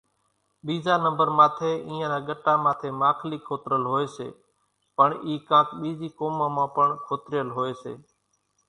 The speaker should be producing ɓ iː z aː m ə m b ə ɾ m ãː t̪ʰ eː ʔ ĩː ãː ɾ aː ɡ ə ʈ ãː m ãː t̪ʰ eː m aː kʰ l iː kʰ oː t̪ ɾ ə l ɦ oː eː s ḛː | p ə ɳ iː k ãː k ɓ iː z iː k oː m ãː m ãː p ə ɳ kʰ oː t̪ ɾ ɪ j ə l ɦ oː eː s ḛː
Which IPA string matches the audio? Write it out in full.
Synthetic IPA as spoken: ɓ iː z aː n ə m b ə ɾ m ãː t̪ʰ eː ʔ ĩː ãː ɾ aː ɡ ə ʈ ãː m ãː t̪ʰ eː m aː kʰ l iː kʰ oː t̪ ɾ ə l ɦ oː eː s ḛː | p ə ɳ iː k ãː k ɓ iː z iː k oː m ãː m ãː p ə ɳ kʰ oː t̪ ɾ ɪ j ə l ɦ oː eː s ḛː